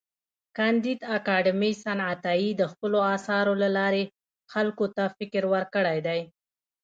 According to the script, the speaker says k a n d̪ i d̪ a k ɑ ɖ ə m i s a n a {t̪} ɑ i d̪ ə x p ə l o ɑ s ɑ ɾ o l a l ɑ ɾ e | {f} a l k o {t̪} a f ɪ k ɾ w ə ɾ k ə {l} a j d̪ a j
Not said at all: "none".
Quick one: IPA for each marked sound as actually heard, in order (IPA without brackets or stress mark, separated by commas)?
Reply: t̪, x, t̪, ɽ